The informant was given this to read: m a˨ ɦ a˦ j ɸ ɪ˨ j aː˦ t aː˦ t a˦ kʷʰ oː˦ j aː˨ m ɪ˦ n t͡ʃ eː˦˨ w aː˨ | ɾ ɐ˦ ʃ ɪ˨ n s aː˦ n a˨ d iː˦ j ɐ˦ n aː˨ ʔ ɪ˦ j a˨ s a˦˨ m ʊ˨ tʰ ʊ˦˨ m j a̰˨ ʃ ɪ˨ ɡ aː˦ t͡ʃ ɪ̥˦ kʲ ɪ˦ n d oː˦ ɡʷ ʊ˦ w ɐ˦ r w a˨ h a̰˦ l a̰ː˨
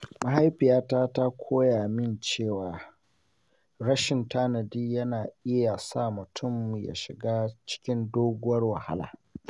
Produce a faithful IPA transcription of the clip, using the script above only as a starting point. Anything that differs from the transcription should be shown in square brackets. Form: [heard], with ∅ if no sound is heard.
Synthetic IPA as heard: m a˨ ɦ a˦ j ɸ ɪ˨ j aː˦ t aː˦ t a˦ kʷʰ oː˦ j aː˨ m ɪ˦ n t͡ʃ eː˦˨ w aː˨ | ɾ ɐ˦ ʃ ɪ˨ n [t] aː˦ n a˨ d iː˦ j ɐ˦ n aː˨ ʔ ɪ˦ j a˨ s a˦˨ m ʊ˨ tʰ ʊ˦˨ m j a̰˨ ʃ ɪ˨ ɡ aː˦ t͡ʃ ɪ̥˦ kʲ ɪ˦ n d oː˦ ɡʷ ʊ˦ w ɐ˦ r w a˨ h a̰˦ l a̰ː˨